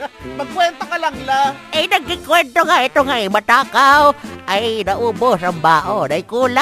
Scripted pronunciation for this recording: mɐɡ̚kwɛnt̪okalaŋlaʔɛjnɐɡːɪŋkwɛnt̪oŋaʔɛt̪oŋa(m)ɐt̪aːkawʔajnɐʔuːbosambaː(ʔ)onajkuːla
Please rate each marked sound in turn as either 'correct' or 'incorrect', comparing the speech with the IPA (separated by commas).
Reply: correct, correct